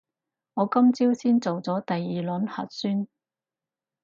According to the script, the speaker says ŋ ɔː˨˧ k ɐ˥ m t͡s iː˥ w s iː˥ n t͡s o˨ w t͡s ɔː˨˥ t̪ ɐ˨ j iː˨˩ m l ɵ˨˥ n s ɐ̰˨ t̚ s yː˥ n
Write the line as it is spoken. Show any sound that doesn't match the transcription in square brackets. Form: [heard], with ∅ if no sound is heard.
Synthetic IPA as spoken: ŋ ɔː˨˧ k ɐ˥ m t͡s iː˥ w s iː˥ n t͡s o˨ w t͡s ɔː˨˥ t̪ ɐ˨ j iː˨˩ [∅] l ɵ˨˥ n [h] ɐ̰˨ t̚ s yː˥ n